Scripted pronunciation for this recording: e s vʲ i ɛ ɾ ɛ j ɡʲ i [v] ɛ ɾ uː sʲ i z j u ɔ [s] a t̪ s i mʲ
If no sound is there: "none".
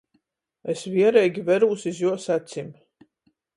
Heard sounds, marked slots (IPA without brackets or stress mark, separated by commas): v, s